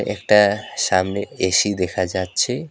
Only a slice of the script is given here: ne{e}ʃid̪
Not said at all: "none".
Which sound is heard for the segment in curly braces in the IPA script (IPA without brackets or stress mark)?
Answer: e